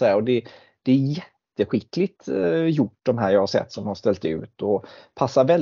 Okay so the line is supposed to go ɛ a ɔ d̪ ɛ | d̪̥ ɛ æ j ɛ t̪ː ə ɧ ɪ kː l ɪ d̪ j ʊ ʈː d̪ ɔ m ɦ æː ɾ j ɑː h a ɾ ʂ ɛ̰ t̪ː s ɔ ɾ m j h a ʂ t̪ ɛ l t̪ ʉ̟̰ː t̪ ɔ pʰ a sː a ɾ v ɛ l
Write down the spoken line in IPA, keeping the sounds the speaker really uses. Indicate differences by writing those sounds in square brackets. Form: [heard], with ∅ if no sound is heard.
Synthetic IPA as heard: ɛ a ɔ d̪ ɛ | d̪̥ ɛ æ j ɛ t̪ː ə ɧ ɪ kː l ɪ [t̪] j ʊ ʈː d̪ ɔ m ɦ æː ɾ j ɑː h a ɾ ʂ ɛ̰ t̪ː s ɔ [∅] m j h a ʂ t̪ ɛ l t̪ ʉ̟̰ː t̪ ɔ pʰ a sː a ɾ v ɛ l